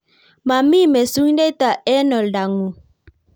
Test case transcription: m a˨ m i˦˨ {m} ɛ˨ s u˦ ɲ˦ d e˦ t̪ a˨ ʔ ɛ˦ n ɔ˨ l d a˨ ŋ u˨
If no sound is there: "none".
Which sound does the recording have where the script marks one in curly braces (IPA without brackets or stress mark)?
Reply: m